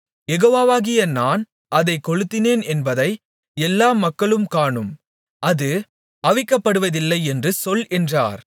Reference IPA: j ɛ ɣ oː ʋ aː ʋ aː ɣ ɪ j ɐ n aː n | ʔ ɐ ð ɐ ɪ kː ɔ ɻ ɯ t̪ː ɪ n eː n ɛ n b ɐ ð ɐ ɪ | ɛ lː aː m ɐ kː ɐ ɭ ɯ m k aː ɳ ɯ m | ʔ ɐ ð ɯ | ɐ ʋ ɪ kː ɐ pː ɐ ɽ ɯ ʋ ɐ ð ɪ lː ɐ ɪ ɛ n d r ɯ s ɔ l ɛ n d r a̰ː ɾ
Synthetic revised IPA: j ɛ ɣ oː ʋ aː ʋ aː ɣ ɪ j ɐ n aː n | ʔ ɐ ð ɐ ɪ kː ɔ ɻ ɯ t̪ː ɪ n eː n ɛ n b ɐ ð ɐ ɪ | ɛ lː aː m ɐ kː ɐ ɭ ɯ m k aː ɳ ɯ m | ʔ ɐ ð ɯ | ɐ ʋ ɪ kː ɐ pː ɐ ɽ ɯ ʋ ɐ ð ɪ lː ɐ ɪ ɛ n d r ɯ s ɔ l ɛ n d r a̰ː ɾ